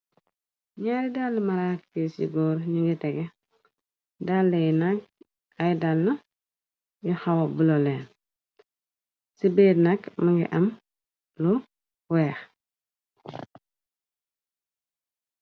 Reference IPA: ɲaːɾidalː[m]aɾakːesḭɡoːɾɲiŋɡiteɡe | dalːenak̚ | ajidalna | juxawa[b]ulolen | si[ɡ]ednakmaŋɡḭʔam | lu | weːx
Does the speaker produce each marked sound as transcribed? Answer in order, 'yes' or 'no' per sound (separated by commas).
yes, yes, no